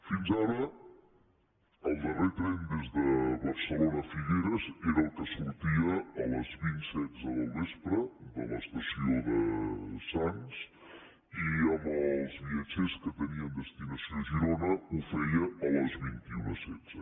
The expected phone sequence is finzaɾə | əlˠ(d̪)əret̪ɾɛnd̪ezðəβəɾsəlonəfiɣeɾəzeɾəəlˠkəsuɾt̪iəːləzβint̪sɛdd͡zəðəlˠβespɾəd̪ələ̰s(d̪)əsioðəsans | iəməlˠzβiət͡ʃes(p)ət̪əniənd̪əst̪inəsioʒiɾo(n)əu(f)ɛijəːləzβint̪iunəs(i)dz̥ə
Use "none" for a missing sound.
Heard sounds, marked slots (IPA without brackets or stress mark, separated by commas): d̪, t̪, k, n, f, ɛ